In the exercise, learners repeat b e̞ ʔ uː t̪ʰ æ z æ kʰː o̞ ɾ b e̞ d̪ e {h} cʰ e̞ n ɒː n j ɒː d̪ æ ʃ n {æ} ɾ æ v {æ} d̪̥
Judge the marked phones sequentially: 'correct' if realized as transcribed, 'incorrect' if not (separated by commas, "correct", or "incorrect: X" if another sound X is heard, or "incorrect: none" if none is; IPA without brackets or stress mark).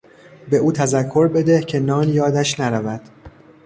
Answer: correct, correct, correct